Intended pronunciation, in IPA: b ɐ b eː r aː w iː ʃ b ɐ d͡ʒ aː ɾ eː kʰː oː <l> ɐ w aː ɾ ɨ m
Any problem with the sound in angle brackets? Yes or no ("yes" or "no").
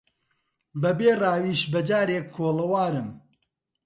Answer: no